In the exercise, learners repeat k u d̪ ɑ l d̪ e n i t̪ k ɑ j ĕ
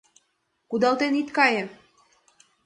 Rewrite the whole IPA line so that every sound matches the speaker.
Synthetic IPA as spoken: k u d̪ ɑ l t̪ e n i t̪ k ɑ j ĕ